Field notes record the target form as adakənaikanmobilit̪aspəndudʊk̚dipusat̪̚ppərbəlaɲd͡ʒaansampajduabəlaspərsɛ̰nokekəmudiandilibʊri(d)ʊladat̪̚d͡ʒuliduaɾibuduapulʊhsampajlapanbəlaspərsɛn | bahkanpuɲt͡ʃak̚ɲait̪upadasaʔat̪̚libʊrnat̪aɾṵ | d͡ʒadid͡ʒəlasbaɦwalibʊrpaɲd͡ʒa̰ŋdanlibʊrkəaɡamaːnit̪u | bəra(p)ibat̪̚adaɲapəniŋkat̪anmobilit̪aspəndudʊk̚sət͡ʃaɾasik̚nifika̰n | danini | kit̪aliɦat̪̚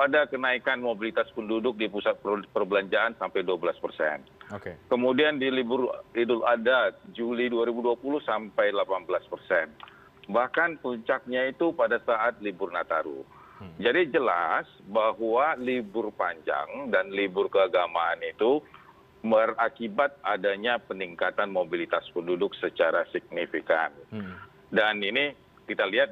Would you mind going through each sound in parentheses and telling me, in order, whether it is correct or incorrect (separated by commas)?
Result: correct, incorrect